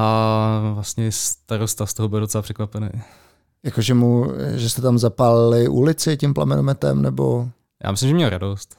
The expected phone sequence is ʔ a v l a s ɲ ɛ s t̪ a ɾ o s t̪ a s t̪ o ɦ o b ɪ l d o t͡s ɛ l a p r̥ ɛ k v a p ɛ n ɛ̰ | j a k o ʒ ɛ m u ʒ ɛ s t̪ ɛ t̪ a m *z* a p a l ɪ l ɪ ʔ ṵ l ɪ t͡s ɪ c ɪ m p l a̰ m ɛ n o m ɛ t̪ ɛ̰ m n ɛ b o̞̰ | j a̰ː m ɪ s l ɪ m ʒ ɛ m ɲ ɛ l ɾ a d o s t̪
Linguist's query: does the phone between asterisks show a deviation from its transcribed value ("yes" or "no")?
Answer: no